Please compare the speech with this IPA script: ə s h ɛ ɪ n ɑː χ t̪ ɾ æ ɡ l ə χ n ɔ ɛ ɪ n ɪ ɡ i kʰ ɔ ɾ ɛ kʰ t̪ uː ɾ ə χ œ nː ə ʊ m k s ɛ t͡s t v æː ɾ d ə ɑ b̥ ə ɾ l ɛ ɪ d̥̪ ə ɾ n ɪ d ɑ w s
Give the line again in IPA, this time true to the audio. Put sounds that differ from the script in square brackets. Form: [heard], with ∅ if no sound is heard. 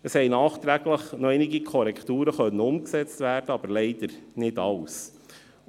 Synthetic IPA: ə s h ɛ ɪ n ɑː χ t̪ ɾ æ ɡ l ə χ n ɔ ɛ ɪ n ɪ ɡ i kʰ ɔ ɾ ɛ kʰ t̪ uː ɾ ə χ œ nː ə ʊ m k s ɛ t͡s t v æː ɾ d ə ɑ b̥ ə ɾ l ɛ ɪ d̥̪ ə ɾ n ɪ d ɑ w s